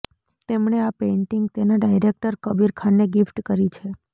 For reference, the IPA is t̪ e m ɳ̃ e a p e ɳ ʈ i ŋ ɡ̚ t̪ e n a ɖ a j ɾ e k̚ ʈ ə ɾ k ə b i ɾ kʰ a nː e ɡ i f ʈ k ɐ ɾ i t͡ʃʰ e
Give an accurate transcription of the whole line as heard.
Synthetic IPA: t̪ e m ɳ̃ e a p e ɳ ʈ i ŋ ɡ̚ t̪ e n a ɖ a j ɾ e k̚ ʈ ə ɾ k ə b i ɾ kʰ a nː e ɡ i f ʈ k ə ɾ i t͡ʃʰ e